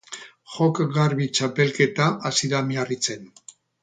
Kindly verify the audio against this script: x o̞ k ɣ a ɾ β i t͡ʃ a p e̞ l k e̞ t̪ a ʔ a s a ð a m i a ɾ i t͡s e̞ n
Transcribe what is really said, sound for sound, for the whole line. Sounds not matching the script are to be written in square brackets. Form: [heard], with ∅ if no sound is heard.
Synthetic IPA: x o̞ k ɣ a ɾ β i t͡ʃ a p e̞ l k e̞ t̪ a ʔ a s [i] ð a m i a [r] i t͡s e̞ n